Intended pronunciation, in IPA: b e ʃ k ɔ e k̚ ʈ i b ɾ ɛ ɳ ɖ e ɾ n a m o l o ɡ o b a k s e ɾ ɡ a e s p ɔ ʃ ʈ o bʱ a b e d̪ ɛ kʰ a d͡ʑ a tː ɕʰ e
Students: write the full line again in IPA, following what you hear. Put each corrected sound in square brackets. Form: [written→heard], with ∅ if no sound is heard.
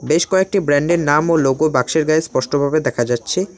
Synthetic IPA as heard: b e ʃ k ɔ e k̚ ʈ i b ɾ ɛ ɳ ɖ e ɾ n a m o l o ɡ o b a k [s→ʃ] e ɾ ɡ a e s p ɔ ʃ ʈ o bʱ a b e d̪ ɛ kʰ a d͡ʑ a tː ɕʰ e